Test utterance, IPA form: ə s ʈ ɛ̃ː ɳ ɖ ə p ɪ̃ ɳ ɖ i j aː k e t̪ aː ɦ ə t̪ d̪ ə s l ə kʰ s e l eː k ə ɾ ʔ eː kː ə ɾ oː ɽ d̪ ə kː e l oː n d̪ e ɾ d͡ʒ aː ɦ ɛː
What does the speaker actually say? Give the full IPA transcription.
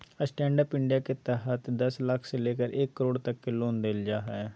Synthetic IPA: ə s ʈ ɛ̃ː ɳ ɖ ə p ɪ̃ ɳ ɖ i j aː k e t̪ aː ɦ ə t̪ d̪ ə s l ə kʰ s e l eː k ə ɾ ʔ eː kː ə ɾ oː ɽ t̪ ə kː e l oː n d̪ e l d͡ʒ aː ɦ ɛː